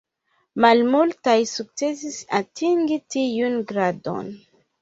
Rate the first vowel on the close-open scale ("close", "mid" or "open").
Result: open